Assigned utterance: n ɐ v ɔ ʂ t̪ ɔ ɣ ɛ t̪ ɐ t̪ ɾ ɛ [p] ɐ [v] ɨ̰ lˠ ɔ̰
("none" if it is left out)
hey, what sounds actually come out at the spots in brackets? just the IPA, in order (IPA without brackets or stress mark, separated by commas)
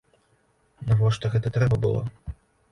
b, b